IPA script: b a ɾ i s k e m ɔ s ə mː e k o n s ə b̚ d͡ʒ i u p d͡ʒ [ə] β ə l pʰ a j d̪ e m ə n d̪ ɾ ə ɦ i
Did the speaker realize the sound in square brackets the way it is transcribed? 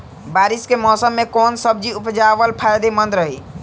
no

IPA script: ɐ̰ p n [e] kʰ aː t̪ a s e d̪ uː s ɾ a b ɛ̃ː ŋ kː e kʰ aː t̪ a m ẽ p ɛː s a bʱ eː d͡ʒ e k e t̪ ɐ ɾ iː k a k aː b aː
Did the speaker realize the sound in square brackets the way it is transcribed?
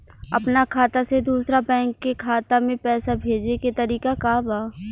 no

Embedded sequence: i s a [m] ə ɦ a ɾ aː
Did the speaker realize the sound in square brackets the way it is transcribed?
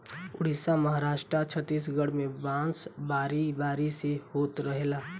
yes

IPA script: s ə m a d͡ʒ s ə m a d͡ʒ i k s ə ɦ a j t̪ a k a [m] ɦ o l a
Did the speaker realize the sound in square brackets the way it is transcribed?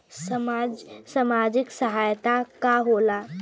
no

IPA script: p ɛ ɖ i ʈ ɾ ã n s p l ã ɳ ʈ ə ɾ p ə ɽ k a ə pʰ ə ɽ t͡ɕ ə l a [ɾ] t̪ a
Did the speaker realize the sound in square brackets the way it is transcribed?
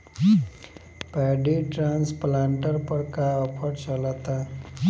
no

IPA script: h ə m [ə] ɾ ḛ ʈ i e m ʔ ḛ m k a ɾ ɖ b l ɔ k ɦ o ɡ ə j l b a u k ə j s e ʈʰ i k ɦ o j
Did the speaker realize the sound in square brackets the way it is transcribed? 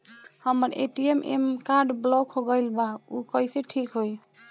yes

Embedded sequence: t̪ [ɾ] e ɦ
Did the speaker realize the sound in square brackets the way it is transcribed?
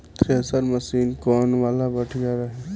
yes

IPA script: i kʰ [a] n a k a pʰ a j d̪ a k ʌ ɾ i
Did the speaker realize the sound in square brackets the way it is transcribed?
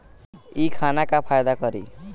yes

